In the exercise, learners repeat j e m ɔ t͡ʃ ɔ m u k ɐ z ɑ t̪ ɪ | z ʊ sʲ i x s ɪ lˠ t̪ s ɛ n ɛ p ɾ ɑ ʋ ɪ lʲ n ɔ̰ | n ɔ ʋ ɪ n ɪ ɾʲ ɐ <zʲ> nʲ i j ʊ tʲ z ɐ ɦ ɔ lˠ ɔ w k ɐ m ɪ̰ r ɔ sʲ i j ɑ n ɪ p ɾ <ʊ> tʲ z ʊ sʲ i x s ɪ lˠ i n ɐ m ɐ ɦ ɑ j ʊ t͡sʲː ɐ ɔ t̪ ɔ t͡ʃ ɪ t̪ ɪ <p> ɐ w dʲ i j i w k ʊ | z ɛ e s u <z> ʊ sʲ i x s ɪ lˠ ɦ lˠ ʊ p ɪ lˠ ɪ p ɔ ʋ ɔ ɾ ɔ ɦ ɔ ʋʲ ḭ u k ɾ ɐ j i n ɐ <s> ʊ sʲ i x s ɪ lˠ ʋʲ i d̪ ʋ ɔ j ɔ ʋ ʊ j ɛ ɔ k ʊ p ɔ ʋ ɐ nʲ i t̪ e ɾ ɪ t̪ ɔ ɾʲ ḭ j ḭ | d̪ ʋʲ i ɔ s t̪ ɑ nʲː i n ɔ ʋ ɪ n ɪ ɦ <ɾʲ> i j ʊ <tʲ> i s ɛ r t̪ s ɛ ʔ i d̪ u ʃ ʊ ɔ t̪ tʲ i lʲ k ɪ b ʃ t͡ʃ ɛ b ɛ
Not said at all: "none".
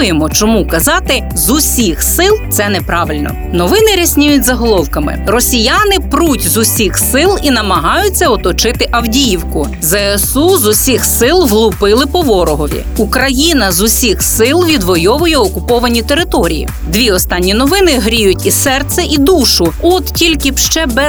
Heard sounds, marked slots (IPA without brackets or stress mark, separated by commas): sʲ, u, ʔ, z, z, ɾʲ, tʲ